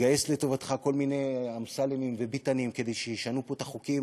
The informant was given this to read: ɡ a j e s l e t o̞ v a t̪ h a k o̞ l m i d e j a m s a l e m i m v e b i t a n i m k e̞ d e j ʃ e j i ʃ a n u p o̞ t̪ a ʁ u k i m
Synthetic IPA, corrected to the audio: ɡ a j e s l e t o̞ v a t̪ χ a k o̞ l m i n e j a m s a l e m i m v e b i t a n i m k e̞ d e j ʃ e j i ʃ a n u p o̞ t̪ a χ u k i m